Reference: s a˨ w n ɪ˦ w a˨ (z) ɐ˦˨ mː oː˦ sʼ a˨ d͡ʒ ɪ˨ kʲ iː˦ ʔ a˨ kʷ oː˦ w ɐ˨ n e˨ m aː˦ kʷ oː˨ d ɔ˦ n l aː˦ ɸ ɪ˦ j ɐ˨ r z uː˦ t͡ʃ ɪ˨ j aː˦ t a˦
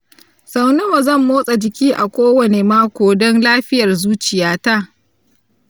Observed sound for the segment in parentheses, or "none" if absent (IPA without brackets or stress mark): z